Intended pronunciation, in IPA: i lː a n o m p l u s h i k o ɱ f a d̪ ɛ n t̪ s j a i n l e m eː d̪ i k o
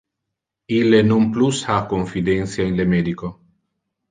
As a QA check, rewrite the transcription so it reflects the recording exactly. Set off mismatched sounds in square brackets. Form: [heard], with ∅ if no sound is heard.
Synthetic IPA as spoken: i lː [e] n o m p l u s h [a] k o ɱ f [i] d̪ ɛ n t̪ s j a i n l e m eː d̪ i k o